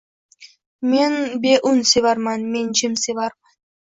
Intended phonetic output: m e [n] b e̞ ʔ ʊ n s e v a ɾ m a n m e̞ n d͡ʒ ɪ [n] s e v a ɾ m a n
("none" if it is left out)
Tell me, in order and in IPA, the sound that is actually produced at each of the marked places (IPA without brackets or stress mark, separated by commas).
n, m